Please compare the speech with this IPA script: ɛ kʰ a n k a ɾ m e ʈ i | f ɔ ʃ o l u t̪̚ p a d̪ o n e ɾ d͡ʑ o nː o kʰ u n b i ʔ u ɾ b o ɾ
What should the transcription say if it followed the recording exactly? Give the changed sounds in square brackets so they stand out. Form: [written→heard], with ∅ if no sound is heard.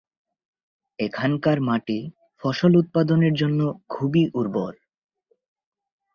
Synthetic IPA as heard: [ɛ→e] kʰ a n k a ɾ m [e→a] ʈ i | f ɔ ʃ o l u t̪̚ p a d̪ o n e ɾ d͡ʑ o nː o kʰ u [n→∅] b i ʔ u ɾ b o ɾ